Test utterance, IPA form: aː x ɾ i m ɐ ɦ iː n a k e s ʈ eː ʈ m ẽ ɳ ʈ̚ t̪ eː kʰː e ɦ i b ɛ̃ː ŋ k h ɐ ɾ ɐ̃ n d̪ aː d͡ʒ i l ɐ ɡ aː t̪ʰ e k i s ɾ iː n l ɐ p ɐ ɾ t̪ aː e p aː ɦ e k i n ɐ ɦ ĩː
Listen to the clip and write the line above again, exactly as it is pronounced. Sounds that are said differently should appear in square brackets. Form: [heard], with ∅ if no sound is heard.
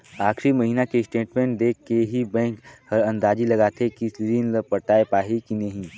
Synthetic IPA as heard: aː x ɾ i m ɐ ɦ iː n a k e s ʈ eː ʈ m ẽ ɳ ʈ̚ [d̪] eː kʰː e ɦ i b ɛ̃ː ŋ k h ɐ ɾ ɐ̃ n d̪ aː d͡ʒ i l ɐ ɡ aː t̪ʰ e k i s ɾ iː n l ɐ p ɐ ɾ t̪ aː e p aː ɦ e k i n ɐ ɦ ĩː